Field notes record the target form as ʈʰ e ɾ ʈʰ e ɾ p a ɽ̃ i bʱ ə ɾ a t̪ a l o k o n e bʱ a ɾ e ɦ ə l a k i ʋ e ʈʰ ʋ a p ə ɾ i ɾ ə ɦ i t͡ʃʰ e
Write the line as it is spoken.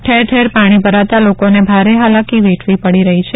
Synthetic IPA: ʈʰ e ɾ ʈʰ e ɾ p a ɽ̃ i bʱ ə ɾ a t̪ a l o k o n e bʱ a ɾ e ɦ a l a k i ʋ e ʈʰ ʋ i p ə ɽ i ɾ ə ɦ i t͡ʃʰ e